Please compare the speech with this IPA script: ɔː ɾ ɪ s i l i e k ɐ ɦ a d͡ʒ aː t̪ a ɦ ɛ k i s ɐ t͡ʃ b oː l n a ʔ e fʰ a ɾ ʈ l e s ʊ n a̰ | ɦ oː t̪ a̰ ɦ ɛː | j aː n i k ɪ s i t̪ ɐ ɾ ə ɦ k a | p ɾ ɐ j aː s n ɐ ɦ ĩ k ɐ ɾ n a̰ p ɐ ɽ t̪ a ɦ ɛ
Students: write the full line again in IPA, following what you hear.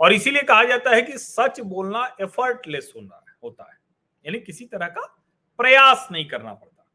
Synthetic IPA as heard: ɔː ɾ ɪ s i l i e k ɐ ɦ a d͡ʒ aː t̪ a ɦ ɛ k i s ɐ t͡ʃ b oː l n a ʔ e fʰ ə ɾ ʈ l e s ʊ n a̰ | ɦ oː t̪ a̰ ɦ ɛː | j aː n i k ɪ s i t̪ ɐ ɾ ə ɦ k a | p ɾ ɐ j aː s n ɐ ɦ ĩ k ɐ ɾ n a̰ p ɐ ɽ t̪ a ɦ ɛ